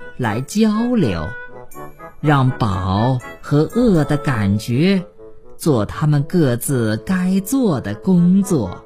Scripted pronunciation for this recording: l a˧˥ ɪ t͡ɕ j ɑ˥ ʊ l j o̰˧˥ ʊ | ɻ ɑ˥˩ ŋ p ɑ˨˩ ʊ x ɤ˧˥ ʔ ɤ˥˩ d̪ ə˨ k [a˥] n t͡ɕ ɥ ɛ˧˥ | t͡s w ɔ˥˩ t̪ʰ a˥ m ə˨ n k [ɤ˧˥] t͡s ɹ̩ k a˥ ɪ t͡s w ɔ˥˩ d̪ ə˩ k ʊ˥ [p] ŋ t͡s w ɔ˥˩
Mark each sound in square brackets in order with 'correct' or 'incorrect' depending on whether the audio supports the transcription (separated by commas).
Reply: incorrect, incorrect, incorrect